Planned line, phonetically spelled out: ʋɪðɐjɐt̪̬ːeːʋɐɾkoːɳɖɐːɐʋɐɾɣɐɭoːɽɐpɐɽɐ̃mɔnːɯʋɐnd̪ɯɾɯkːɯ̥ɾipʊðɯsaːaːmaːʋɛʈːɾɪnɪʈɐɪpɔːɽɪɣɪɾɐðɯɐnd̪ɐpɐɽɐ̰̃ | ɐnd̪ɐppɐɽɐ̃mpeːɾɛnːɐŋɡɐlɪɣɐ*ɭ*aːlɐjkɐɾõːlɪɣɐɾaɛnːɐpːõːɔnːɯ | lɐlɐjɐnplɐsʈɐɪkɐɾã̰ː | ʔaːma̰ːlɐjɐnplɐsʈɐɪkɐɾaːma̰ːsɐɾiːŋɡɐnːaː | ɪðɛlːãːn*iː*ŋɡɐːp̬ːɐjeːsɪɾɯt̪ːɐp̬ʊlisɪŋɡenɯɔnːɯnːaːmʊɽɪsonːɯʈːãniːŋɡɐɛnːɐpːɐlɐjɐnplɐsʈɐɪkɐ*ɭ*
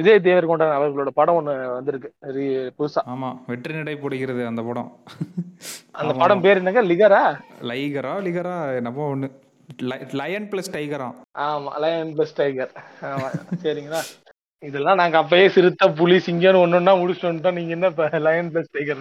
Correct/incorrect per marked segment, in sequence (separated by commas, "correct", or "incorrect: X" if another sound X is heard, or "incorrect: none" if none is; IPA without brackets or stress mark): incorrect: ɾ, incorrect: aː, incorrect: ɾ